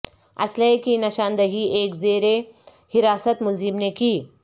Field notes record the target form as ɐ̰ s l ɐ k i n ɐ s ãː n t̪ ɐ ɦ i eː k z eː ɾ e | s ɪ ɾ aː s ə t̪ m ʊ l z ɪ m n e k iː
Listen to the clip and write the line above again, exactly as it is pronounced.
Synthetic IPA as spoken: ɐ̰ s l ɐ k i n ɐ ʃ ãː n d̪ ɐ ɦ i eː k z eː ɾ e | h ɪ ɾ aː s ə t̪ m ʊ l z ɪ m n e k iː